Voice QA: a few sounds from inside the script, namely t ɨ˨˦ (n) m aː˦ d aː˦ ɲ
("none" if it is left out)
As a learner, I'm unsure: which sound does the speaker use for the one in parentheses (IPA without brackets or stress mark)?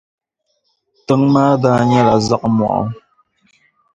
ŋ